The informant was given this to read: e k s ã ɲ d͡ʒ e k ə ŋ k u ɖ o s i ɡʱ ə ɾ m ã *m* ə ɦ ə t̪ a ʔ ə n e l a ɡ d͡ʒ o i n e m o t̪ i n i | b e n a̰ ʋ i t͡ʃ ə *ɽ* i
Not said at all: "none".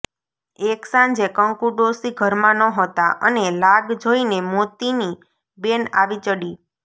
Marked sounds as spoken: n, ɽ

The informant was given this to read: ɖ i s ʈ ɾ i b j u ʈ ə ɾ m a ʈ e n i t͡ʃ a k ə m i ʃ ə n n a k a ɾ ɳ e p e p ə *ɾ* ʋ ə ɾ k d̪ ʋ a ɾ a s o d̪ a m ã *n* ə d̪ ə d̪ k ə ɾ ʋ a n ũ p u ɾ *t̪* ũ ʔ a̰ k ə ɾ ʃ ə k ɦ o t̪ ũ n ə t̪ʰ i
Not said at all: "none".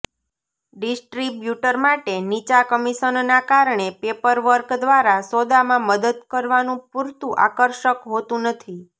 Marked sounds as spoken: ɾ, m, t̪

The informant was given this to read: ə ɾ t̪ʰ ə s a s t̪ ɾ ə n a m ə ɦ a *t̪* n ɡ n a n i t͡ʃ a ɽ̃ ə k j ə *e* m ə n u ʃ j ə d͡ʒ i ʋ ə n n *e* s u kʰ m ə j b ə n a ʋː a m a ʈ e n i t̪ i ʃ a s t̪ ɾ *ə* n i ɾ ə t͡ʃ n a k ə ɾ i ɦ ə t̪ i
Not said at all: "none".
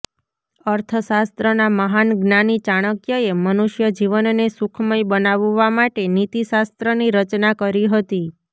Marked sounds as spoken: none, e, e, ə

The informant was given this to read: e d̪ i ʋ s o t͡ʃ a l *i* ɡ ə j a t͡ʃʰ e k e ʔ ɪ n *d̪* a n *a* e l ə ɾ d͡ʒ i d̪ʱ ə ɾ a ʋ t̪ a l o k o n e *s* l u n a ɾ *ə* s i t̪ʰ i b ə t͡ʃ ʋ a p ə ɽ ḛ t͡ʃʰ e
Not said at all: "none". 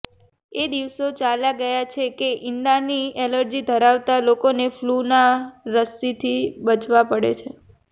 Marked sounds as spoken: a, d̪, i, f, ə

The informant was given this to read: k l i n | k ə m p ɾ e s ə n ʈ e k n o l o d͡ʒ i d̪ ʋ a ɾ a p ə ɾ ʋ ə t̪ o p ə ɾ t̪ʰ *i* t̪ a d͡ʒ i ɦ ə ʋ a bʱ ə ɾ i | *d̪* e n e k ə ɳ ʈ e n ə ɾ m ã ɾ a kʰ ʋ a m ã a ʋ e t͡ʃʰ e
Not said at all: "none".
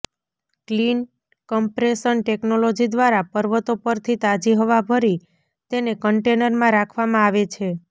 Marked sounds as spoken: i, t̪

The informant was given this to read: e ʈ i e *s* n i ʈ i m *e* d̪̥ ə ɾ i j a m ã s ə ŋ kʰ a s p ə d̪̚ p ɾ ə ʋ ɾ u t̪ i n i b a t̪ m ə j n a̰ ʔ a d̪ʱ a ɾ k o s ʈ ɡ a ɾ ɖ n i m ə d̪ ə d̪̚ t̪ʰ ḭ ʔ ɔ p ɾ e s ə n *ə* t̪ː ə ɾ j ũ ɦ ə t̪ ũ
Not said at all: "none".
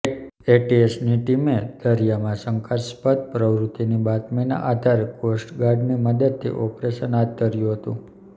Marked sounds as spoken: s, e, a

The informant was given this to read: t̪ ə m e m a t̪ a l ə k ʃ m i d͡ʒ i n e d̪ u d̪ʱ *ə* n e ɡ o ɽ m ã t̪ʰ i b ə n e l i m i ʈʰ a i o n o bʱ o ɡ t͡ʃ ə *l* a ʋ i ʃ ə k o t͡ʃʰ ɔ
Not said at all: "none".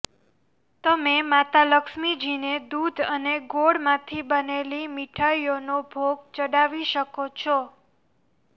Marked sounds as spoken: ə, ɽ

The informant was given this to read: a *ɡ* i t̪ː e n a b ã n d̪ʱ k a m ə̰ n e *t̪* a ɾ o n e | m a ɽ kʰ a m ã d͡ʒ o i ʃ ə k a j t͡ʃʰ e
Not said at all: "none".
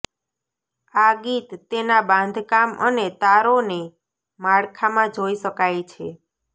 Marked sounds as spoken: ɡ, t̪

